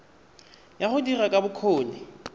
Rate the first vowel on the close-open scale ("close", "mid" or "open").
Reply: open